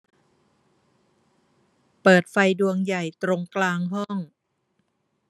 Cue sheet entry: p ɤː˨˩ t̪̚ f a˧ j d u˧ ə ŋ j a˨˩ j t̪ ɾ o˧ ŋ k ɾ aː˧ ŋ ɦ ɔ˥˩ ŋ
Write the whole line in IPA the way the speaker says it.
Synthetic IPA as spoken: p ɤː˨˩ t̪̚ f a˧ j d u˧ ə ŋ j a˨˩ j t̪ ɾ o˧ ŋ k l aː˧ ŋ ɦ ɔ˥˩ ŋ